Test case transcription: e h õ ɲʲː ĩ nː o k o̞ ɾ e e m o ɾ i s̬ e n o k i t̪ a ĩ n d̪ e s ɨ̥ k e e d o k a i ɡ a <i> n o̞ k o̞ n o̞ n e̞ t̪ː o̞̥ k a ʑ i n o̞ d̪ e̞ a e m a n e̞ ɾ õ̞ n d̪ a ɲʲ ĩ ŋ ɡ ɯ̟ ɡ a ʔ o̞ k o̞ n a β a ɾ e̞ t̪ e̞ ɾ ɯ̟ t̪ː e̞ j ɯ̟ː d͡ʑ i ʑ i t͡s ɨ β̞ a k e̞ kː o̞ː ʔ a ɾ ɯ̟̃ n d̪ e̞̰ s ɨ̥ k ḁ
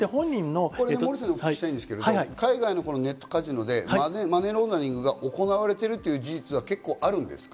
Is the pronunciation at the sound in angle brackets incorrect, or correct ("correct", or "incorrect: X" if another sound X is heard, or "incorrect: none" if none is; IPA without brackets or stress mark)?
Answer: correct